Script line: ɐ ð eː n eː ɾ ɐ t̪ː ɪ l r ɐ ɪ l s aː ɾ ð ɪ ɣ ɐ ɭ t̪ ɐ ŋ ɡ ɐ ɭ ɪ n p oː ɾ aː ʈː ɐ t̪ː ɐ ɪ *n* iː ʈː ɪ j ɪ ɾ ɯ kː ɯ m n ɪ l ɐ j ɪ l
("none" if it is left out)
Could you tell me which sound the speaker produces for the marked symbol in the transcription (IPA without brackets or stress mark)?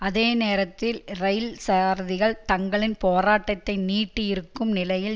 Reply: n